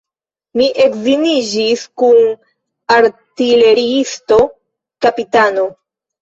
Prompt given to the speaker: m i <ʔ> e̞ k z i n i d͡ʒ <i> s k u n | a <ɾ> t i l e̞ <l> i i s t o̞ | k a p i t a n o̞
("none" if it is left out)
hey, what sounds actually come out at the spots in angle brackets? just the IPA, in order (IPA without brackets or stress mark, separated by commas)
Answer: ʔ, i, ɾ, ɾ